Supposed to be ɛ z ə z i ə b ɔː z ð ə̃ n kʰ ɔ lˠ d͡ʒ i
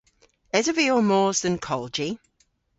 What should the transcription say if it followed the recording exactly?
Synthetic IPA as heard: ɛ z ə v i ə m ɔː z ð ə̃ n kʰ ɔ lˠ d͡ʒ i